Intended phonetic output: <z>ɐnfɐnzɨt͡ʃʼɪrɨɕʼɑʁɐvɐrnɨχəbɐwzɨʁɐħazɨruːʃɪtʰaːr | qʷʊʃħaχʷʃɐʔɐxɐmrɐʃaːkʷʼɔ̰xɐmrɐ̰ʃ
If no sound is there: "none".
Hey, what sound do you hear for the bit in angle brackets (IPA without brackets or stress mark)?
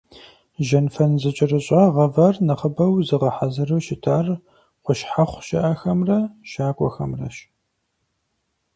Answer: ʒ